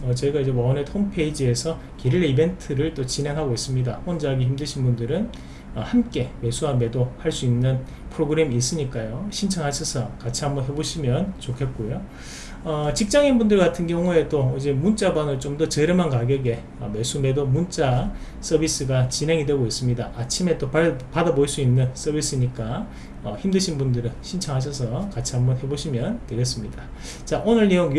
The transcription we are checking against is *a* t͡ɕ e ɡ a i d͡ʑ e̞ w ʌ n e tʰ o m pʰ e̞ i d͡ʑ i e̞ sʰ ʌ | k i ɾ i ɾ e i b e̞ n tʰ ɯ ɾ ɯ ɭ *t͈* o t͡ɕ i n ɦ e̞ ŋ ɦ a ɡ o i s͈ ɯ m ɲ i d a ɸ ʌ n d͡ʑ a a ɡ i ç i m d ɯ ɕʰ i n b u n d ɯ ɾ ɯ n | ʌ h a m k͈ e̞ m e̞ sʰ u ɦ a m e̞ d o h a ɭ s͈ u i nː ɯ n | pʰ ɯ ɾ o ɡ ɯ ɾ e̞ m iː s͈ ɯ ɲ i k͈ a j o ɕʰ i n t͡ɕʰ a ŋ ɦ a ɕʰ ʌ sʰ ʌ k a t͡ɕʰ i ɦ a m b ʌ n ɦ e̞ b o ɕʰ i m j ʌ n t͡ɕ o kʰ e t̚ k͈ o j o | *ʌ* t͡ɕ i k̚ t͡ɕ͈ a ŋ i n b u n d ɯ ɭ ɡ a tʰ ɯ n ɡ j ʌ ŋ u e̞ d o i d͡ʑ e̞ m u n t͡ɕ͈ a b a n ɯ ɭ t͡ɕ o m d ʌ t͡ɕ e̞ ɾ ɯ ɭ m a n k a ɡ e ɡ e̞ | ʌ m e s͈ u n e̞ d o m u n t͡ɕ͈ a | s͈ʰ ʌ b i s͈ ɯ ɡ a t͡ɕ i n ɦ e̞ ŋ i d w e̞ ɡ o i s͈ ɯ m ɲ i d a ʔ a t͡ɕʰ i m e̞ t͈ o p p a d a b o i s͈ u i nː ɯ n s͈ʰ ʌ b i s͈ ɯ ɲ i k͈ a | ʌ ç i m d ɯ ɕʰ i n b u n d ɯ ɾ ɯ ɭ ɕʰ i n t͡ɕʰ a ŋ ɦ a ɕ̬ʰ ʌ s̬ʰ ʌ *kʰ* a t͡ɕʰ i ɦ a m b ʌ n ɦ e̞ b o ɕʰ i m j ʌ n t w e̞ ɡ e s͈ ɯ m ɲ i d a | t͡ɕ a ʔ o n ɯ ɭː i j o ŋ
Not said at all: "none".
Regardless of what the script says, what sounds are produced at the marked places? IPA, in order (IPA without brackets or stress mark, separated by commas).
ʌ, t͈, ʌ, k